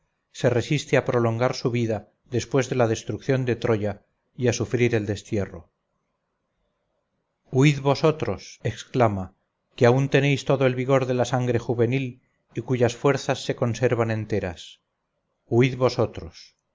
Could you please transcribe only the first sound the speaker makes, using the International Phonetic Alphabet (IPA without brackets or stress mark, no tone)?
s